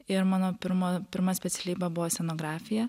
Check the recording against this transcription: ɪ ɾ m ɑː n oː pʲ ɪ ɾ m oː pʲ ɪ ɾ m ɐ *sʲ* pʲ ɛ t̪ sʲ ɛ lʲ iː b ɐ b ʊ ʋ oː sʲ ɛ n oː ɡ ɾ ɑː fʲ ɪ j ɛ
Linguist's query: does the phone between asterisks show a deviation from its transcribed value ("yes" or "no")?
no